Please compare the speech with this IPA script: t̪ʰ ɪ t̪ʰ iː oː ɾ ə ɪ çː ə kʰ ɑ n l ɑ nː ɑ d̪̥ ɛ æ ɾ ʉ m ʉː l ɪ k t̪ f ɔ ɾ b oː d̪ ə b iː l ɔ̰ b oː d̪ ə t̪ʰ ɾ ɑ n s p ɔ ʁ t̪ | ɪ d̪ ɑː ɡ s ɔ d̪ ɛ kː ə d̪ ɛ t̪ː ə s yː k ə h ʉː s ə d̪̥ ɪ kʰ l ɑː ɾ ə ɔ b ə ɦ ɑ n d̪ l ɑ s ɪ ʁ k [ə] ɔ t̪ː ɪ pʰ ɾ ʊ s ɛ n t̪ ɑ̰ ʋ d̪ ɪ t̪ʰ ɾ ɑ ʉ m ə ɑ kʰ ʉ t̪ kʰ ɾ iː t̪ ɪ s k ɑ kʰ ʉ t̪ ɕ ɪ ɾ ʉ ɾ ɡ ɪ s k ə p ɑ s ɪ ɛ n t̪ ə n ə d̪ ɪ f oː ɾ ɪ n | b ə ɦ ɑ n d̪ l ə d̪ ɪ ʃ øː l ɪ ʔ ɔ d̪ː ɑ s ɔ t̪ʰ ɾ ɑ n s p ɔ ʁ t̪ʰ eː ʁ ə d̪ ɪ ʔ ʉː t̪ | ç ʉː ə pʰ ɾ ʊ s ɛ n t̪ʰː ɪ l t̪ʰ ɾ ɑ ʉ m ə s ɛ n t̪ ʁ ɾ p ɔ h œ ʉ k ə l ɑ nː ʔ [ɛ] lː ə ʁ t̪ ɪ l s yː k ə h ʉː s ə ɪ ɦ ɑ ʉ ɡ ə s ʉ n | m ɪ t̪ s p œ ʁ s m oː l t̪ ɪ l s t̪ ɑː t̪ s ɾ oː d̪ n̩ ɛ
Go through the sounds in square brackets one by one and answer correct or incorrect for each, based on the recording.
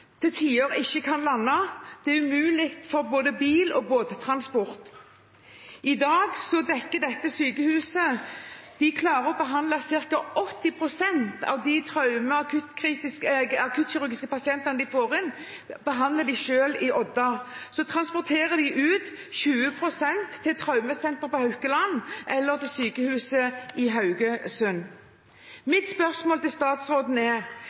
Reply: incorrect: ɑ, correct

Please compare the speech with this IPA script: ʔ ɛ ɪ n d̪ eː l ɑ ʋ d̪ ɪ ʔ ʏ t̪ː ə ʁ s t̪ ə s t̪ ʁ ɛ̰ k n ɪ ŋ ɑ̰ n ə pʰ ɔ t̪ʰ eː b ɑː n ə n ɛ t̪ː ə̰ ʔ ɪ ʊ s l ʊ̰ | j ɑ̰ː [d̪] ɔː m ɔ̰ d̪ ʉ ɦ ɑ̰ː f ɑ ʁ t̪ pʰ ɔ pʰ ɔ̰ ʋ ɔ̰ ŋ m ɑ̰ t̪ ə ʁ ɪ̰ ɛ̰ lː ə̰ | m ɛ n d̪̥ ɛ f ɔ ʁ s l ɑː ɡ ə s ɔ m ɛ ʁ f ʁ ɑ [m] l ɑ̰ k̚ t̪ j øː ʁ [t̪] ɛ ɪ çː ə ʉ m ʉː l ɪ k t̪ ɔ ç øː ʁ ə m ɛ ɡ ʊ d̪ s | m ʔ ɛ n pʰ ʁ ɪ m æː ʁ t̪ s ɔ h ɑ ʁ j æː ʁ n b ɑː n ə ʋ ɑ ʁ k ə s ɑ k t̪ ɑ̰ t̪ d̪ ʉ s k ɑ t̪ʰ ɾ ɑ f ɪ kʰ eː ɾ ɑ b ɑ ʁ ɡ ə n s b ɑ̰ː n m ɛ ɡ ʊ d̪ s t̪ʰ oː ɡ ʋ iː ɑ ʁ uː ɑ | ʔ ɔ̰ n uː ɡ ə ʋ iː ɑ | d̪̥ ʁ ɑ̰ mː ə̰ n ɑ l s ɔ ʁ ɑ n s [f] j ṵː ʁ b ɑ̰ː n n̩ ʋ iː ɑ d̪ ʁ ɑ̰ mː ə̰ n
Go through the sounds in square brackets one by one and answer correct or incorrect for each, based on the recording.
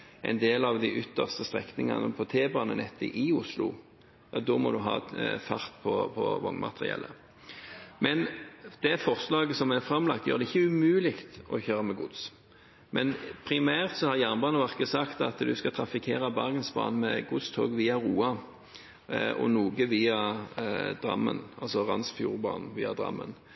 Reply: correct, correct, incorrect: d̪, correct

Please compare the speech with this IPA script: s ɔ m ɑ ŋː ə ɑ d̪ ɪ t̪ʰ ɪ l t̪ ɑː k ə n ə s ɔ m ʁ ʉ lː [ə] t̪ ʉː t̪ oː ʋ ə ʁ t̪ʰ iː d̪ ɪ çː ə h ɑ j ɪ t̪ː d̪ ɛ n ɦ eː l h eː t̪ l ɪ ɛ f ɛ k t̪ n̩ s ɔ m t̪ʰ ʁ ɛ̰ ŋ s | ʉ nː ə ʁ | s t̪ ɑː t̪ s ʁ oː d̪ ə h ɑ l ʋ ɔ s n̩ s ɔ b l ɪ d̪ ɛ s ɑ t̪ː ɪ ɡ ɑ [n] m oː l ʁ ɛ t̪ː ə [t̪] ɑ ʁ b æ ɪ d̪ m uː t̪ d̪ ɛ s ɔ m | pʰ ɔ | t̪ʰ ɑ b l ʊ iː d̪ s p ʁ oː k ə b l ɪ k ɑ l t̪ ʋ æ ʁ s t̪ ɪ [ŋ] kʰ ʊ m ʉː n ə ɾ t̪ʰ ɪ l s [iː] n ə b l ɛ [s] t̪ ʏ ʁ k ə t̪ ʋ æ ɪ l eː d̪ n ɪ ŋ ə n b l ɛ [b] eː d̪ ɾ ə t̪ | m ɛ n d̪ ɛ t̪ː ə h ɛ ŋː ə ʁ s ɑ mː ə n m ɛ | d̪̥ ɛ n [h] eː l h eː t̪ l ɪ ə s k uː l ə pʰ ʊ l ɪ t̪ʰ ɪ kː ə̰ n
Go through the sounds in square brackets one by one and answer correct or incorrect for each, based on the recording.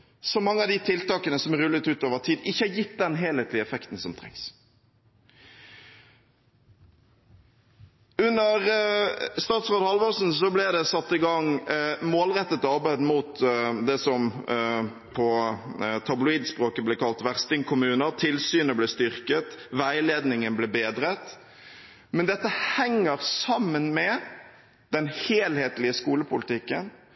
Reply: correct, incorrect: ŋ, correct, correct, incorrect: yː, correct, correct, correct

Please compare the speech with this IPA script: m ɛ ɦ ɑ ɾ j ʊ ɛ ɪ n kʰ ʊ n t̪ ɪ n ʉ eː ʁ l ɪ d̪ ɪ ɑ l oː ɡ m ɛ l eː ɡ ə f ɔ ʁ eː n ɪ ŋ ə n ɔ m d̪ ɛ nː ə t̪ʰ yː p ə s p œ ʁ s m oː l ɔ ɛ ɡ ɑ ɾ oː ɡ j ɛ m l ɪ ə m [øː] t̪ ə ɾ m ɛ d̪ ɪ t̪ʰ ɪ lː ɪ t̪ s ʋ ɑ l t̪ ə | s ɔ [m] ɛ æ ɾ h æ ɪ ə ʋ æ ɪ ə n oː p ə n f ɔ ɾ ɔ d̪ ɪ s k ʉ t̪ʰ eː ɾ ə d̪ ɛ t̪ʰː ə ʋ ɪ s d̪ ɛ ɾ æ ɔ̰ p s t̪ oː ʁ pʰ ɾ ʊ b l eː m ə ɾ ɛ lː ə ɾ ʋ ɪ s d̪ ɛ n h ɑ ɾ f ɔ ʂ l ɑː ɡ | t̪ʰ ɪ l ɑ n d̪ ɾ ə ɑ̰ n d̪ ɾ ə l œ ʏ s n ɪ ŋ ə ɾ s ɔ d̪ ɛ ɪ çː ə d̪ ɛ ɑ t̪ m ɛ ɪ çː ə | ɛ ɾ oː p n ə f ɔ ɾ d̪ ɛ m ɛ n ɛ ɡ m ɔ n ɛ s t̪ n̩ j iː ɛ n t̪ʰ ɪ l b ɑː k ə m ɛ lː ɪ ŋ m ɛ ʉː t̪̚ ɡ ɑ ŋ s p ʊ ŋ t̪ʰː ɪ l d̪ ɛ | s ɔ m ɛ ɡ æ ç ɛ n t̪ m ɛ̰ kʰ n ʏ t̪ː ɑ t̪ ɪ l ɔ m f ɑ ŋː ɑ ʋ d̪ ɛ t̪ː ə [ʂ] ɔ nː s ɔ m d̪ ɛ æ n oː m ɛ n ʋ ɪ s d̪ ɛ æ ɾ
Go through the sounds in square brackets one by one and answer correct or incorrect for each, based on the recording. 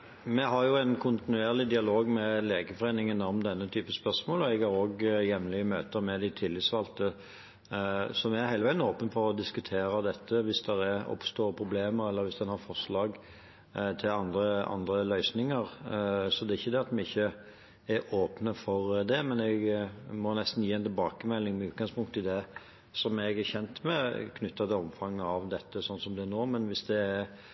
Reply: correct, correct, incorrect: s

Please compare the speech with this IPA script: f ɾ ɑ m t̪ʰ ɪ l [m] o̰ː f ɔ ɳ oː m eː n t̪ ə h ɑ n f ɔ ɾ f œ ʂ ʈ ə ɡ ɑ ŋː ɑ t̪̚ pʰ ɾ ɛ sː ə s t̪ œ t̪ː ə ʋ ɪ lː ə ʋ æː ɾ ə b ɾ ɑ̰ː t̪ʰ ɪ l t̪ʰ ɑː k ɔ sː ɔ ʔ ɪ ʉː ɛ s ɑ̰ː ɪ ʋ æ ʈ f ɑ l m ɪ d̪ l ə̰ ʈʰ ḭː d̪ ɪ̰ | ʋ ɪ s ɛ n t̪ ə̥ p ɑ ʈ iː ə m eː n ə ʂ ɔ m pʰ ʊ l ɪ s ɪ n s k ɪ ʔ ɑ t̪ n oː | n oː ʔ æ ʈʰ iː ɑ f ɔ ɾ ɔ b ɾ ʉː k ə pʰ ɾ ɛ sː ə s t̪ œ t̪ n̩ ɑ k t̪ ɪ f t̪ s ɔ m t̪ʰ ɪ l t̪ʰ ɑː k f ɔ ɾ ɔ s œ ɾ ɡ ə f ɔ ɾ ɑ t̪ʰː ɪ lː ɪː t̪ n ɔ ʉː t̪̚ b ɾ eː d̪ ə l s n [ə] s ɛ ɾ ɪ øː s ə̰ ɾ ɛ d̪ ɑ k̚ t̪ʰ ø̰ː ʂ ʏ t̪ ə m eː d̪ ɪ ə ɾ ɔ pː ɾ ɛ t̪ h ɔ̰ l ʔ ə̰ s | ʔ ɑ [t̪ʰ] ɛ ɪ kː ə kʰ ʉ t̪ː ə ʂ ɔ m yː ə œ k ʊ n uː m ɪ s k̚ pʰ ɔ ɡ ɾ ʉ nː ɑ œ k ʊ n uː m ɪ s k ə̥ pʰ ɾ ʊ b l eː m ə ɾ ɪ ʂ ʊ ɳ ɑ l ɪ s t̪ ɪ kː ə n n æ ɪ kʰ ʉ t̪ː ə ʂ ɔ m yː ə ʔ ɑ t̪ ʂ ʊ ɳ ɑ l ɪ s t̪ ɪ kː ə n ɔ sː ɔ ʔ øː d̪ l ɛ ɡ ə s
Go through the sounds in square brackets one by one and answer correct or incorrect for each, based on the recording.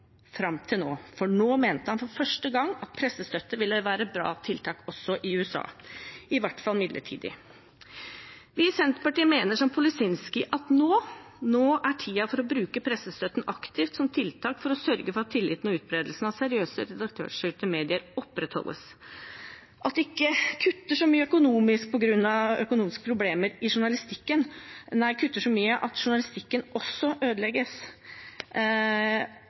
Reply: incorrect: n, incorrect: ɑ, incorrect: t̪

